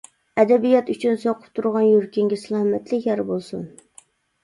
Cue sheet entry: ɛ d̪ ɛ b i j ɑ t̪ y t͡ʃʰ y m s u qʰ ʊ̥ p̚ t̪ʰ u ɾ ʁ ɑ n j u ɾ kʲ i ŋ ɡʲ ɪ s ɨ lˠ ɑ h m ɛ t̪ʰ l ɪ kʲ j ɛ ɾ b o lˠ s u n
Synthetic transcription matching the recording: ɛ d̪ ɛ b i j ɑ t̪ y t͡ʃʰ y n s o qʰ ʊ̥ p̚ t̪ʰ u ɾ ʁ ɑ n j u ɾ kʲ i ŋ ɡʲ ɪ s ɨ lˠ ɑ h m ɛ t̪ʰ l ɪ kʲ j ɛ ɾ b o lˠ s u n